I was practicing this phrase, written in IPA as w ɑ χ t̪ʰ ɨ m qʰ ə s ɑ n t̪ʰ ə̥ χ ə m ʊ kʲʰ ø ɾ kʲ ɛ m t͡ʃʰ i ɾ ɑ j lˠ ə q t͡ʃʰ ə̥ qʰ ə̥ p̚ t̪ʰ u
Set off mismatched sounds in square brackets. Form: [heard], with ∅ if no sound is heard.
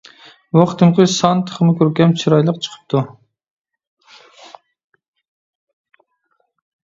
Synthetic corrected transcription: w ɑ χ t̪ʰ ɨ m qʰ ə s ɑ n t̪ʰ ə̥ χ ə m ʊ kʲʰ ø ɾ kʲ ɛ m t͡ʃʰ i ɾ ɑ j lˠ ə q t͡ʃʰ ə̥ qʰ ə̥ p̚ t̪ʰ u